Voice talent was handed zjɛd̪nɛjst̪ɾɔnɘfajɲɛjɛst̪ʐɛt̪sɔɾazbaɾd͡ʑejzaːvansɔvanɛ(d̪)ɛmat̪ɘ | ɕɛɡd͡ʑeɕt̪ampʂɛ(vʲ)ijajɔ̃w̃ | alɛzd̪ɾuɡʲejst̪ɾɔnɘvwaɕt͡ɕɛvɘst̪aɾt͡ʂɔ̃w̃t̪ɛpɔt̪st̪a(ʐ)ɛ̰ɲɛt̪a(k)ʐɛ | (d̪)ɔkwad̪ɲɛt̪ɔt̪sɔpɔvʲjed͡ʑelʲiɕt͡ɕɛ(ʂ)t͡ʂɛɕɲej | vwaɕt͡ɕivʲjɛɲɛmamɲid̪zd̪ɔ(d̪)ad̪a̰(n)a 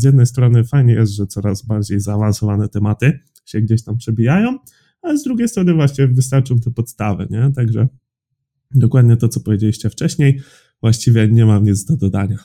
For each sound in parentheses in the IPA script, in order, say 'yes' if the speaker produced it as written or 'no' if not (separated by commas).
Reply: no, no, no, no, yes, no, yes, no